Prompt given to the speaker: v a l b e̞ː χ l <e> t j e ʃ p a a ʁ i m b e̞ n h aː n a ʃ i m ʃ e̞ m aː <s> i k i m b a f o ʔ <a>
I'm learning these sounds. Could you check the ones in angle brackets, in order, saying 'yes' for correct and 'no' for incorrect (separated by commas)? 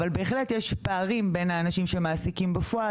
yes, yes, yes